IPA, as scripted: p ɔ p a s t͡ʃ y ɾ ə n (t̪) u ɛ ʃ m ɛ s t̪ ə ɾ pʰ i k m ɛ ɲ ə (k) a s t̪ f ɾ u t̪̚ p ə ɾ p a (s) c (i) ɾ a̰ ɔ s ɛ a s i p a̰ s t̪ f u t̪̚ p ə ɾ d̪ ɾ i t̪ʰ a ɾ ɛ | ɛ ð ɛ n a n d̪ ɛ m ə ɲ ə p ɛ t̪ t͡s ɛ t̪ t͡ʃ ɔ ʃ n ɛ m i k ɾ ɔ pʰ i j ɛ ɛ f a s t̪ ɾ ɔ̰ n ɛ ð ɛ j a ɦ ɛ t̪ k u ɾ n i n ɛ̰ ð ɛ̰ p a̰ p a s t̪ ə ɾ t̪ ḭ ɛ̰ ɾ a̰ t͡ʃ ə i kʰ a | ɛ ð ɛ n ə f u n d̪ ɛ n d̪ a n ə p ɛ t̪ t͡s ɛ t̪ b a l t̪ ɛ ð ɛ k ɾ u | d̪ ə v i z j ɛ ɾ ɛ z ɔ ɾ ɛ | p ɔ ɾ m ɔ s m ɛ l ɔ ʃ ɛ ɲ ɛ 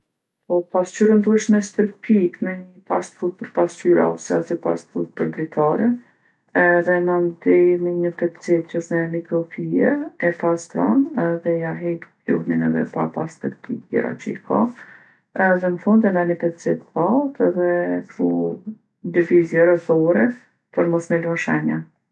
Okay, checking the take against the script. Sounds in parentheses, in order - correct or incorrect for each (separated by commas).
incorrect, incorrect, correct, incorrect